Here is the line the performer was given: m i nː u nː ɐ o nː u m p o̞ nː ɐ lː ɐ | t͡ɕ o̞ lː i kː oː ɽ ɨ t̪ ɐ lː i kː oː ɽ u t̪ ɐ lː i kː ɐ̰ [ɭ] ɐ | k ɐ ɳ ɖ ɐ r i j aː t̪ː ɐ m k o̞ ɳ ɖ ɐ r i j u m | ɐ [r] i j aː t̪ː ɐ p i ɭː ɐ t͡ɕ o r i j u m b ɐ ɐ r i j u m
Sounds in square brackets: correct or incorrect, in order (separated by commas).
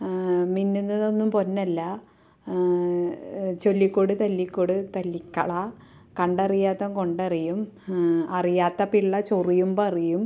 correct, correct